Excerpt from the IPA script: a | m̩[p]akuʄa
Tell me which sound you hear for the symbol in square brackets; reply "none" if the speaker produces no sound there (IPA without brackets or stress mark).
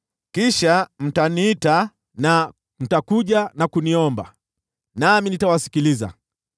t